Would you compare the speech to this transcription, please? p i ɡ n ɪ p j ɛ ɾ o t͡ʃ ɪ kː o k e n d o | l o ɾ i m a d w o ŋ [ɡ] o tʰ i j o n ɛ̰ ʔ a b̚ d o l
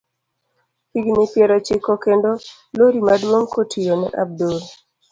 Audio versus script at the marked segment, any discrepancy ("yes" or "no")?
yes